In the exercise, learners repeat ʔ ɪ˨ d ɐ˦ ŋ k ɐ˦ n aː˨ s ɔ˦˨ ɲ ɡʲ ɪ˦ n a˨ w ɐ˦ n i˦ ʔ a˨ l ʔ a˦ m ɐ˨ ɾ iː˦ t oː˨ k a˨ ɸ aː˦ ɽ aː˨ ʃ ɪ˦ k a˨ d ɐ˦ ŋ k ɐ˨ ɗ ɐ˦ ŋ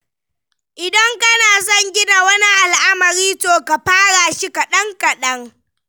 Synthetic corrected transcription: ʔ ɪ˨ d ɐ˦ ŋ k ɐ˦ n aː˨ s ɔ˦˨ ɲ ɡʲ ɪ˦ n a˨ w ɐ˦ n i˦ ʔ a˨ l ʔ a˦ m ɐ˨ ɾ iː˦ t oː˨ k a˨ ɸ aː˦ ɽ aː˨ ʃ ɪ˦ k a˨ ɗ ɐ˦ ŋ k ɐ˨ ɗ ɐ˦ ŋ